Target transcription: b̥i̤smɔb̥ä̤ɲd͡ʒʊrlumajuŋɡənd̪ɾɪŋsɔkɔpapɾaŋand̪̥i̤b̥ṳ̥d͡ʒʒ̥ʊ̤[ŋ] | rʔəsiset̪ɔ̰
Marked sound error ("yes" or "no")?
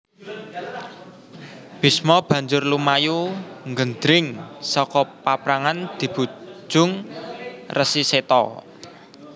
no